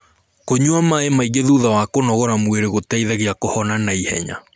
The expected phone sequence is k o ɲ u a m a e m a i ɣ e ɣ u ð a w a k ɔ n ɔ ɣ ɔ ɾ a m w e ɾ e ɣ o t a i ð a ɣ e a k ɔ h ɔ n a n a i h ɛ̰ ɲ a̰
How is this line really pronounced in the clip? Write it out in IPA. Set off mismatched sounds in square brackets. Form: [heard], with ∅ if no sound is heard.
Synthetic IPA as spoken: k o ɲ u a m a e m a i ɣ e [ð] u ð a w a k [o] n ɔ ɣ ɔ ɾ a m w e ɾ e ɣ o t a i ð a ɣ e a k [o] h ɔ n a n a i h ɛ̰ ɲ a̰